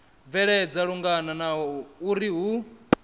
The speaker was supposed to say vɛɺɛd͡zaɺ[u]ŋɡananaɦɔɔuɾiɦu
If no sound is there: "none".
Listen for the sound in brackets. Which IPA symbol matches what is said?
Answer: u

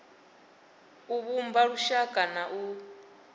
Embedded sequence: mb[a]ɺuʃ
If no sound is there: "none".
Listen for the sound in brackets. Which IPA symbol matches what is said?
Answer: a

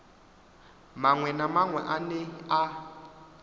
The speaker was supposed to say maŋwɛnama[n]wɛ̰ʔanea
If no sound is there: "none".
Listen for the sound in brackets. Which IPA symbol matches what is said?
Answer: ŋ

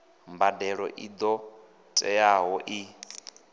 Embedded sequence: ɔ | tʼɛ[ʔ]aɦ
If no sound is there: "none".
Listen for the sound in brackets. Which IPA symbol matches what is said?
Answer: none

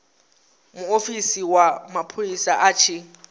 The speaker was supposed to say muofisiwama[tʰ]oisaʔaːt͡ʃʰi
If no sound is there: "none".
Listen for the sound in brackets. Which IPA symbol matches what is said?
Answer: pʰ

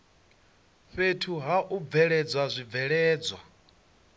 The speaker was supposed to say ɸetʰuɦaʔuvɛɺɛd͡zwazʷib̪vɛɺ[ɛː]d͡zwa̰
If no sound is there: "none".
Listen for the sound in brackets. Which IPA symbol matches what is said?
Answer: ɛː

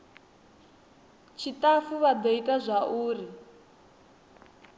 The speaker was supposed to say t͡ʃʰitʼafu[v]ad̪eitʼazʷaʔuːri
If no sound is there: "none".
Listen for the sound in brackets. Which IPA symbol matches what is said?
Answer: β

